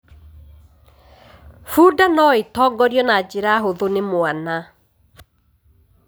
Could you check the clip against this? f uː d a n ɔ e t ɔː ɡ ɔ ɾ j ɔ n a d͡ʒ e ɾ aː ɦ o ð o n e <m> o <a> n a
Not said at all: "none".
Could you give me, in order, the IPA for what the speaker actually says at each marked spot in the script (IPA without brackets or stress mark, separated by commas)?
m, a